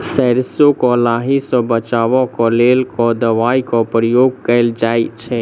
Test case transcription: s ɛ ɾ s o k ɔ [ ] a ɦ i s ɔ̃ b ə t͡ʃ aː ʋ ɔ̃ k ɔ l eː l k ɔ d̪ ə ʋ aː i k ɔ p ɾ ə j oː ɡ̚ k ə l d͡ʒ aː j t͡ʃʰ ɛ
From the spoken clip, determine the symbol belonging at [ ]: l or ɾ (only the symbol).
l